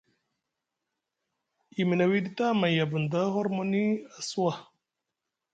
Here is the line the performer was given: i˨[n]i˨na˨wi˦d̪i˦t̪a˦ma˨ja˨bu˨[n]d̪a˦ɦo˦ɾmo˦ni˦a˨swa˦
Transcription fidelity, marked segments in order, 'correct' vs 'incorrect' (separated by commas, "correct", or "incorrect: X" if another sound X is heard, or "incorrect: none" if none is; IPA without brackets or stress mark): incorrect: m, correct